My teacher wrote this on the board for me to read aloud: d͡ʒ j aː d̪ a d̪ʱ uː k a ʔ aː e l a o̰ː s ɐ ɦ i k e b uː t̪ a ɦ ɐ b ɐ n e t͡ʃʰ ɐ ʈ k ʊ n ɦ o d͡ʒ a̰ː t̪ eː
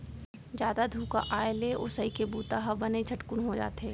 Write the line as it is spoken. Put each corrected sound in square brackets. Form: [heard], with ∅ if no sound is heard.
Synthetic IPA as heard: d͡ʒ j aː d̪ a d̪ʱ uː k a ʔ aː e l [e] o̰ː s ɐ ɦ i k e b uː t̪ a ɦ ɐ b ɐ n e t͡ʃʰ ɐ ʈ k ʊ n ɦ o d͡ʒ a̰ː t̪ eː

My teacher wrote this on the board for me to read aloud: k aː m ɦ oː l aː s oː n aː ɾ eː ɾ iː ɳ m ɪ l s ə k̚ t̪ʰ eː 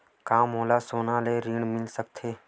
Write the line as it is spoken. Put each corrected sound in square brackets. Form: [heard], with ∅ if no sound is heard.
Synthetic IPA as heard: k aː m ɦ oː l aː s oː n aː [l] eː ɾ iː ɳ m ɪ l s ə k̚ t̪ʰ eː

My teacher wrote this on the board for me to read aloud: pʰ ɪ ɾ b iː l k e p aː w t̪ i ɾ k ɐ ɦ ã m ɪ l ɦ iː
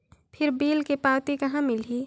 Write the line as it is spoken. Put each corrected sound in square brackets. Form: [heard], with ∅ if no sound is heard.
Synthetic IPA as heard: pʰ ɪ ɾ b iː l k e p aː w t̪ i [∅] k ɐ ɦ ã m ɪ l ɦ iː

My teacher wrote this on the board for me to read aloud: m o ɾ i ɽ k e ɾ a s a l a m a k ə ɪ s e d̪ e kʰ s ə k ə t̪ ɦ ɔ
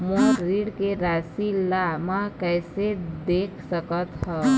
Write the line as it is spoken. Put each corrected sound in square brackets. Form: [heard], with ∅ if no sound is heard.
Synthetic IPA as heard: m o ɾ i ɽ k e ɾ a s [i] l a m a k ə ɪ s e d̪ e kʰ s ə k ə t̪ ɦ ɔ

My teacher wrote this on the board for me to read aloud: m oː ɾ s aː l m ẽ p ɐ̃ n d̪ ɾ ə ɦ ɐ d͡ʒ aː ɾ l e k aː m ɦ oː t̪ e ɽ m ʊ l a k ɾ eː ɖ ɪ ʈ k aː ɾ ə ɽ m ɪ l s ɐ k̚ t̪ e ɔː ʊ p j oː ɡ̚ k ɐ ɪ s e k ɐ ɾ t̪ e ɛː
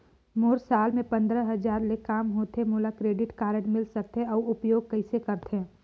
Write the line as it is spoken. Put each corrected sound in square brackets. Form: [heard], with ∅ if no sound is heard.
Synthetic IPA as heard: m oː ɾ s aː l m ẽ p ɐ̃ n d̪ ɾ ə ɦ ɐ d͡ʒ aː ɾ l e k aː m ɦ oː t̪ e [∅] m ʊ l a k ɾ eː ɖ ɪ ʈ k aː ɾ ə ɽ m ɪ l s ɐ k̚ t̪ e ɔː ʊ p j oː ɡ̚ k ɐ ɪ s e k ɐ ɾ t̪ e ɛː

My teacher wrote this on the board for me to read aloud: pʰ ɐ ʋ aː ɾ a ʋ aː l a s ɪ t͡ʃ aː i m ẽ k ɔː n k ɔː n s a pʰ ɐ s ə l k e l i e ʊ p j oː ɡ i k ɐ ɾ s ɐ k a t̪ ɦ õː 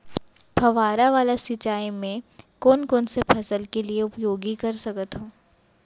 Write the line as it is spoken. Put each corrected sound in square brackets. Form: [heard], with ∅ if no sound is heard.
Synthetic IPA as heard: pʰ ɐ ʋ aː ɾ a ʋ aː l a s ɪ t͡ʃ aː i m ẽ k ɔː n k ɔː n s [e] pʰ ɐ s ə l k e l i e ʊ p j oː ɡ i k ɐ ɾ s ɐ k [ə] t̪ ɦ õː

